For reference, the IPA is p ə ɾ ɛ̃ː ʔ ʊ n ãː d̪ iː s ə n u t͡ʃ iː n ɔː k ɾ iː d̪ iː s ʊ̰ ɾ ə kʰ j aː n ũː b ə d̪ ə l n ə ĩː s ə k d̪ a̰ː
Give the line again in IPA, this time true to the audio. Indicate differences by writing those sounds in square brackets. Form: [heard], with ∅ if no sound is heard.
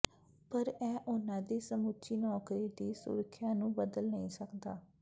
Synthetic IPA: p ə ɾ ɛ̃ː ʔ ʊ n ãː d̪ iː s ə [m] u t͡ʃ iː n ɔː k ɾ iː d̪ iː s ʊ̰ ɾ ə kʰ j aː n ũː b ə d̪ ə l n ə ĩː s ə k d̪ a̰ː